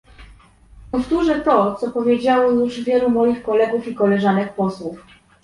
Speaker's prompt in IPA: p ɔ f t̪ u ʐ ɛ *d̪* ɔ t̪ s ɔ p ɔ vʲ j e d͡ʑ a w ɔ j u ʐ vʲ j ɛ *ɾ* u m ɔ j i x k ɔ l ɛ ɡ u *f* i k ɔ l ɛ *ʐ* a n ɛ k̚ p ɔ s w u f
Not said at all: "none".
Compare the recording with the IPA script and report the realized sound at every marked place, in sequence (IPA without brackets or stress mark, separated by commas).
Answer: t̪, l, f, ʐ